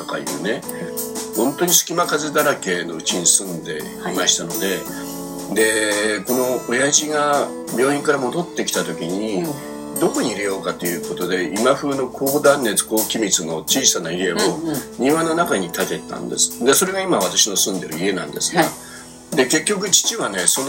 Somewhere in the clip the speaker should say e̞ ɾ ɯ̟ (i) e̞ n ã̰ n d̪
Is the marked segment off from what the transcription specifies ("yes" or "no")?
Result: no